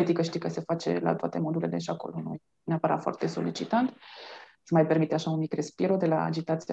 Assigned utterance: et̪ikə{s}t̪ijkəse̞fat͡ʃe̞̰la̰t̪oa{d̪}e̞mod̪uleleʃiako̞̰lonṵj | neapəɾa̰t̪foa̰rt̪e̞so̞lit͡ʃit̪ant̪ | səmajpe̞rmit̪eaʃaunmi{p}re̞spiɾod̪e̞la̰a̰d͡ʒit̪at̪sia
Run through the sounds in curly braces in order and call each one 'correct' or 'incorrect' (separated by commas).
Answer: incorrect, incorrect, incorrect